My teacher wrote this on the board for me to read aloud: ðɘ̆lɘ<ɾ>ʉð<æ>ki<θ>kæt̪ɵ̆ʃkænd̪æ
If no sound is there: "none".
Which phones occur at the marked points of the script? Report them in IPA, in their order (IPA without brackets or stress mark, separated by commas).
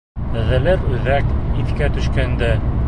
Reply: ɾ, æ, θ